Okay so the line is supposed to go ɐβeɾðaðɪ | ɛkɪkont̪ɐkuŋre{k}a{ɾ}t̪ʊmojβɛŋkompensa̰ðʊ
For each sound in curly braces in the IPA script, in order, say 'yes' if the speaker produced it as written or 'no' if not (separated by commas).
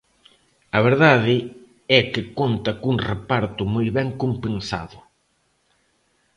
no, yes